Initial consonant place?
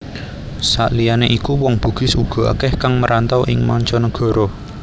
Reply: alveolar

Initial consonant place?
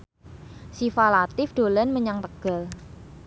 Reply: alveolar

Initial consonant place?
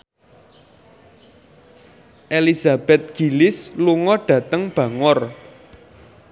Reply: glottal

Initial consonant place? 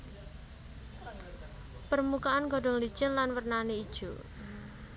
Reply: labial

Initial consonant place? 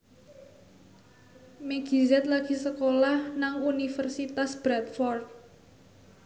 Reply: labial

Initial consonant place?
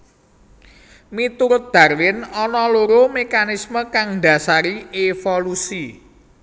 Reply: labial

